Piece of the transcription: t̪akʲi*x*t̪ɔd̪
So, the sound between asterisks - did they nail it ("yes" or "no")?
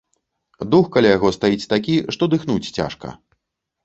no